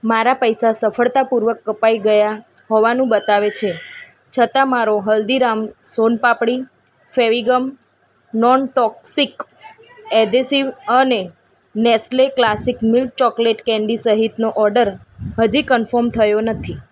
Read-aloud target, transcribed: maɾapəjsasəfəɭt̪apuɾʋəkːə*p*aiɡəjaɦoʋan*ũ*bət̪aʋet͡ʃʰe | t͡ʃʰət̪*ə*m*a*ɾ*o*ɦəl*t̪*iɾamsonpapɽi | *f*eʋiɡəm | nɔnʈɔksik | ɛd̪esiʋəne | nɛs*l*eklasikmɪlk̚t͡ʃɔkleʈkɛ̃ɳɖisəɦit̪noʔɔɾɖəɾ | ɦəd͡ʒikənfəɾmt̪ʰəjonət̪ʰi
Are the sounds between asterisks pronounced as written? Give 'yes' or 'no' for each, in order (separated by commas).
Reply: yes, yes, no, yes, yes, no, yes, yes